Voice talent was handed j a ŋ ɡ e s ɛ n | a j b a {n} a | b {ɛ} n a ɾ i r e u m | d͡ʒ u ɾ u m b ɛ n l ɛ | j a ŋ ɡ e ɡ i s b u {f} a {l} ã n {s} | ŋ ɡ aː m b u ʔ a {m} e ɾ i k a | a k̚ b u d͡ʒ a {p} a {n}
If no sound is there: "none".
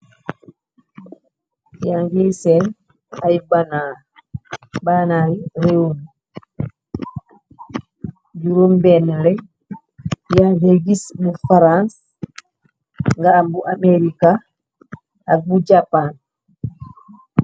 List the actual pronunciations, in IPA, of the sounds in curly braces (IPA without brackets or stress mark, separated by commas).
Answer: n, a, f, ɾ, s, m, p, n